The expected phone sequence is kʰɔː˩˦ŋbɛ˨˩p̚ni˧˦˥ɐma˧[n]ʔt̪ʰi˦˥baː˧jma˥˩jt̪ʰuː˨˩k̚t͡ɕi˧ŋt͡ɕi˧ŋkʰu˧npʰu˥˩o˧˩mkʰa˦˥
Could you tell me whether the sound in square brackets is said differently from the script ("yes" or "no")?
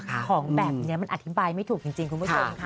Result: no